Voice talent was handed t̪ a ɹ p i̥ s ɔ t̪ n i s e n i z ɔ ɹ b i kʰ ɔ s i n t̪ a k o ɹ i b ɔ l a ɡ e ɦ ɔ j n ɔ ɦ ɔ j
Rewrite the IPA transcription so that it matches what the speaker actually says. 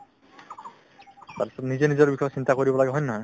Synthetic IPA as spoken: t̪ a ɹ p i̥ s ɔ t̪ n i z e n i z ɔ ɹ b i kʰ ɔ s i n t̪ a k o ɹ i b ɔ l a ɡ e ɦ ɔ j n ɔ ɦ ɔ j